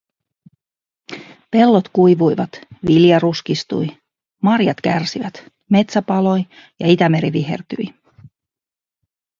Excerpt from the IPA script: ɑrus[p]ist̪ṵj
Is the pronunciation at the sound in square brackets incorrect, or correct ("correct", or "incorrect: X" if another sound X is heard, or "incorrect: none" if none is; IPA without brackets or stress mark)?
incorrect: k